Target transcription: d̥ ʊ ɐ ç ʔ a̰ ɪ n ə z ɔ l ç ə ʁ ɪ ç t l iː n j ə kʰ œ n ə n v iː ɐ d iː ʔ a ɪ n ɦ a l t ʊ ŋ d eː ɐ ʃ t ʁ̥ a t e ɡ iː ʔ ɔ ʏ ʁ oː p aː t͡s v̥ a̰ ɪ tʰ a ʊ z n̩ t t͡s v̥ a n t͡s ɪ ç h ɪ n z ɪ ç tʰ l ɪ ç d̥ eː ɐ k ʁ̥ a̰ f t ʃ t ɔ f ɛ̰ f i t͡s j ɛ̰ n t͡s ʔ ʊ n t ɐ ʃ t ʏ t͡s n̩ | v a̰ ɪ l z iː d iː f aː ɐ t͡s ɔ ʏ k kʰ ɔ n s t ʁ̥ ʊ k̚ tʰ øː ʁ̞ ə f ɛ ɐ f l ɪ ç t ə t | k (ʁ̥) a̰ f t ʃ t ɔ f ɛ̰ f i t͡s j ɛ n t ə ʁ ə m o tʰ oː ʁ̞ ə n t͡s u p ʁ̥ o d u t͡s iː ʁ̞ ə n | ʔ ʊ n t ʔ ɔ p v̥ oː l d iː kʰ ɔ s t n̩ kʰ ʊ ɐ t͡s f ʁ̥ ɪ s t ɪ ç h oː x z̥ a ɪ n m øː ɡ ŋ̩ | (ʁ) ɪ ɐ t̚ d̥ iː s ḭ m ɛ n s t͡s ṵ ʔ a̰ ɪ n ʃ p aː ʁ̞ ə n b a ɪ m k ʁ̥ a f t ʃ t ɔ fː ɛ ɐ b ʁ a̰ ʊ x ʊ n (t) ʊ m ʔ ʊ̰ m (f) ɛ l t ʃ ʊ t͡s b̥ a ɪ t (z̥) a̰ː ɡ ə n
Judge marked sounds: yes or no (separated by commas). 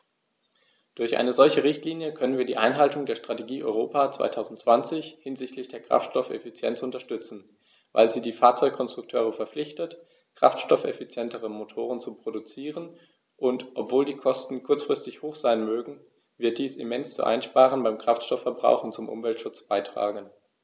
yes, no, no, no, no